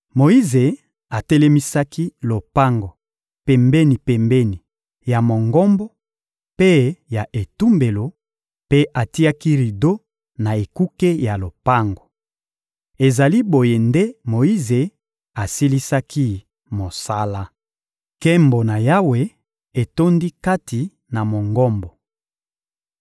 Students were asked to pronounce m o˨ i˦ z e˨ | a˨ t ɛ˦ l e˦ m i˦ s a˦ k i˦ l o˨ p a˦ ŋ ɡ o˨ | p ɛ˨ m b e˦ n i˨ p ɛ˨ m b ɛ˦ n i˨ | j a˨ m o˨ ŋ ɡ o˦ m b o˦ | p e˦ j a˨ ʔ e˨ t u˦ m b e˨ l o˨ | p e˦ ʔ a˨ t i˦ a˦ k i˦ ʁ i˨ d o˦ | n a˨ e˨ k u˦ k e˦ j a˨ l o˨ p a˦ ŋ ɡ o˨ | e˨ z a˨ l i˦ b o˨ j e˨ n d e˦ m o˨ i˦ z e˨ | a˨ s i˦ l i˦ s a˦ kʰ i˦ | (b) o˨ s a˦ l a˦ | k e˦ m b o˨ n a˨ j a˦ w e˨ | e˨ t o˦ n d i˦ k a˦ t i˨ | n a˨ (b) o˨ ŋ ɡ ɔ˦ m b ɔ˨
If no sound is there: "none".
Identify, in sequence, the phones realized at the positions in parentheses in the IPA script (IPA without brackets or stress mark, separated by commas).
m, m